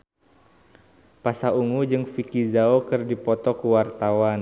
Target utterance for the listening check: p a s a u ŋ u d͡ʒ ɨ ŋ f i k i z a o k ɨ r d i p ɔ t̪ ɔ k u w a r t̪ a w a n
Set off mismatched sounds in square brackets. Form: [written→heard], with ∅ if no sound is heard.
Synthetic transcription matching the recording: p a s a u ŋ u d͡ʒ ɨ ŋ f i k i z a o k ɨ r d i p ɔ t̪ ɔ k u w a r t̪ a w a n